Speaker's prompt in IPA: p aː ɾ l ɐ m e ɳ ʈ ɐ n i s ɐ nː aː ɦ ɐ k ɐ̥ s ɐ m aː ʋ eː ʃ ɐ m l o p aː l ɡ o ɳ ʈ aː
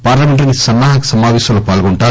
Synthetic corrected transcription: p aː ɾ l ɐ m e ɳ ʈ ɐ n i s ɐ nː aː ɦ ɐ k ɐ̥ s ɐ m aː ʋ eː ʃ ɐ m l o p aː l ɡ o ɳ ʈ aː